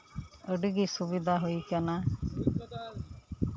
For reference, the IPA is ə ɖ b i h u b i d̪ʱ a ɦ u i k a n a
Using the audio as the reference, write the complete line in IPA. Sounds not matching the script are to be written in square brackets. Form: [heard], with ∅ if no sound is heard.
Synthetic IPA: ə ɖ [ɡ] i [s] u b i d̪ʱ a ɦ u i k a n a